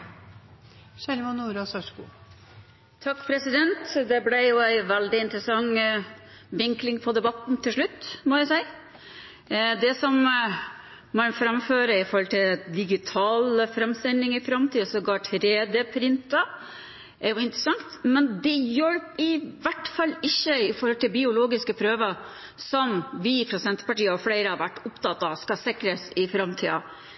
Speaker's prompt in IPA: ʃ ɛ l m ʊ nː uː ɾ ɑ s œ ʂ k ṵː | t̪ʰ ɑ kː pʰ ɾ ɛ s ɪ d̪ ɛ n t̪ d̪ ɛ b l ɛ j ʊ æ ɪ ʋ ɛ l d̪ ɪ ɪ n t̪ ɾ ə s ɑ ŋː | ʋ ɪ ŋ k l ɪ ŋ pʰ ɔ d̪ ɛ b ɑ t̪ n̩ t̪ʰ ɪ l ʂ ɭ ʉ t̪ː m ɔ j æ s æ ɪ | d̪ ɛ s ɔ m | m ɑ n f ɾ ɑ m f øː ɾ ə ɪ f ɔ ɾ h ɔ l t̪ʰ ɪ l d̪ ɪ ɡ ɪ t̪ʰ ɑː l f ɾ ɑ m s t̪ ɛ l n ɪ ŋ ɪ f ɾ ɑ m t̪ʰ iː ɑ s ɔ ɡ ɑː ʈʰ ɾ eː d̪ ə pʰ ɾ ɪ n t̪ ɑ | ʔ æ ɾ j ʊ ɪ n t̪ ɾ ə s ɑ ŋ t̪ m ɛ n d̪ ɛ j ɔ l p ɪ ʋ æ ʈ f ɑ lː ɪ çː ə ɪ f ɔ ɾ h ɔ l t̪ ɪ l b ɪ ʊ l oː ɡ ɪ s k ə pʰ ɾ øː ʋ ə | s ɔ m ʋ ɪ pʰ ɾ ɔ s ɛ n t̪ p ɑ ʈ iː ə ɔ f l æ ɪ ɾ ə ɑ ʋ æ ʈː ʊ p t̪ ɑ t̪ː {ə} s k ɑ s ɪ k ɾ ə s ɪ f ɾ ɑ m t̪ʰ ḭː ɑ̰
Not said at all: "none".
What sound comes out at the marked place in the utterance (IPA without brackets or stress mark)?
ɑ